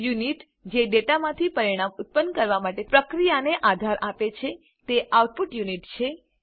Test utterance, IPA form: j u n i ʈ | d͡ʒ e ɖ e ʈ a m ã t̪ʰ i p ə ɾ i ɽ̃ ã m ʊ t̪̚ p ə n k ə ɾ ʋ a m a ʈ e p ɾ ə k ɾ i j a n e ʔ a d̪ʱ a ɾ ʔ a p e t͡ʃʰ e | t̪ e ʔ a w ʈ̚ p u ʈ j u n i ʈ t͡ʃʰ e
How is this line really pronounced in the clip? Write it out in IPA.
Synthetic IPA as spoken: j u n i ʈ | d͡ʒ e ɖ e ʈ a m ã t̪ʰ i p ə ɾ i ɽ̃ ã m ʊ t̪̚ p ə n k ə ɾ ʋ a m a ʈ e p ɾ ə k ɾ i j a n e ʔ a d̪ʱ a ɾ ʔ a p e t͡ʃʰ e | t̪ e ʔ a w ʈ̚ p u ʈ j u n i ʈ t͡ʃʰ e